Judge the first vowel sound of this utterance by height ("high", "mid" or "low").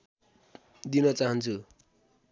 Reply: high